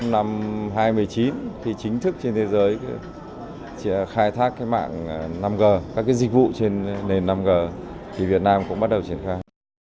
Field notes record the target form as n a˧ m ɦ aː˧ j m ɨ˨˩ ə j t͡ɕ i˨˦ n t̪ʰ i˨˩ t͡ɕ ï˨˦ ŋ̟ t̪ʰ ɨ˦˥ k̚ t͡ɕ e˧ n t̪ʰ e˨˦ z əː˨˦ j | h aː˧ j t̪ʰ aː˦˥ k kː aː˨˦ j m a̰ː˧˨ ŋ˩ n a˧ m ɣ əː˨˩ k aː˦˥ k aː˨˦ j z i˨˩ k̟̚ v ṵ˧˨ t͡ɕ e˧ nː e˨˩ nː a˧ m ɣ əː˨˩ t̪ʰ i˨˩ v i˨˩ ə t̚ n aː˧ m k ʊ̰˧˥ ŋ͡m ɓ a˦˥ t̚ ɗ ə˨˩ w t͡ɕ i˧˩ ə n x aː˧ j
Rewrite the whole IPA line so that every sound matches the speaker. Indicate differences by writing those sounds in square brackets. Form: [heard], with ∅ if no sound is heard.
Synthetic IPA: n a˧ m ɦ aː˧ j m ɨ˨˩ ə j t͡ɕ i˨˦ n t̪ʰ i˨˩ t͡ɕ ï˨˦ ŋ̟ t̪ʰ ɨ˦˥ k̚ t͡ɕ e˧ n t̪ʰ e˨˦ z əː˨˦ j | [x] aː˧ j t̪ʰ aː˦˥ k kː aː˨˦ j m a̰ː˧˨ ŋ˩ n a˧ m ɣ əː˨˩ k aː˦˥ k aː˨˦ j z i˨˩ k̟̚ v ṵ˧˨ t͡ɕ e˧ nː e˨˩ nː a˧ m ɣ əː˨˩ t̪ʰ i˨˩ v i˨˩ ə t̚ n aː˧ m k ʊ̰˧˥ ŋ͡m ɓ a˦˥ t̚ ɗ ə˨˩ w t͡ɕ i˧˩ ə n x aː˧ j